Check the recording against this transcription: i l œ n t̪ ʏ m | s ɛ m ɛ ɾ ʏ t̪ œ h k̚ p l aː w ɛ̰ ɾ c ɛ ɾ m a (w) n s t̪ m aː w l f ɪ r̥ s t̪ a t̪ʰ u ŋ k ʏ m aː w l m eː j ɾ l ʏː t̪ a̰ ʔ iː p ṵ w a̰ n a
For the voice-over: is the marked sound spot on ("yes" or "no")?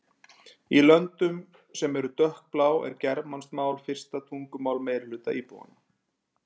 no